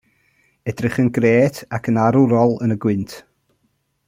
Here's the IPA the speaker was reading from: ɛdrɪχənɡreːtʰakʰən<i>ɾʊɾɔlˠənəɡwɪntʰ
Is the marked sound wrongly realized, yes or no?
yes